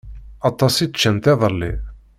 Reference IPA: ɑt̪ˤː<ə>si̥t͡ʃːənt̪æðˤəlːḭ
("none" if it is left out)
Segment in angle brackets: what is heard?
ɑ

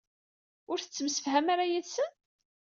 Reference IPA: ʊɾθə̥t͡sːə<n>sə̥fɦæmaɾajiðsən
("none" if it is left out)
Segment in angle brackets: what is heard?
m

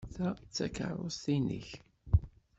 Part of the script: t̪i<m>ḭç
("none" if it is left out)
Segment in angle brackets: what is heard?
n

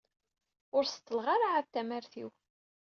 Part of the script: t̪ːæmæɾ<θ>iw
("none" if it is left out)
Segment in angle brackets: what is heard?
θ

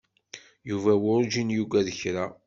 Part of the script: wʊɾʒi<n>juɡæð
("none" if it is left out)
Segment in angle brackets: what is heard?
n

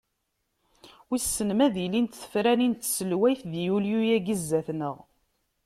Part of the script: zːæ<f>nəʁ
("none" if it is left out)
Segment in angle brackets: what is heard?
θ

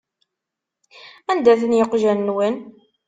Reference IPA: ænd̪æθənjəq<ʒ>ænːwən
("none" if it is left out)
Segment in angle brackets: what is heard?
ʒ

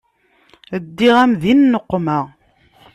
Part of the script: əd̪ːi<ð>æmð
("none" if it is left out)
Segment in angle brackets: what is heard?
ʁ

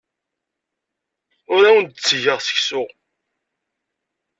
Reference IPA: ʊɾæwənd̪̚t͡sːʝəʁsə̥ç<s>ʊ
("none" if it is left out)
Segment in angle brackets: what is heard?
s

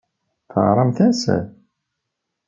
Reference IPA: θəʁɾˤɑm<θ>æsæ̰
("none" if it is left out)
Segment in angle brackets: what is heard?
θ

